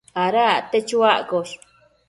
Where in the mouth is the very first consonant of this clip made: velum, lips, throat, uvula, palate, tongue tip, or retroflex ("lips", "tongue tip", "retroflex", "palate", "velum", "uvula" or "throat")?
tongue tip